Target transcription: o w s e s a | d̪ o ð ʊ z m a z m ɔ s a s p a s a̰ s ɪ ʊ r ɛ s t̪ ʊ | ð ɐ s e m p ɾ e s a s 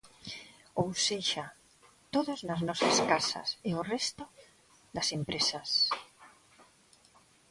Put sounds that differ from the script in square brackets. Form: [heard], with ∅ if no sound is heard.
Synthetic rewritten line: o w s e [ʃ] a | [t̪] o ð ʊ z [n] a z [n] ɔ s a s [k] a s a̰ s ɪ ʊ r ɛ s t̪ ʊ | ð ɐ s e m p ɾ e s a s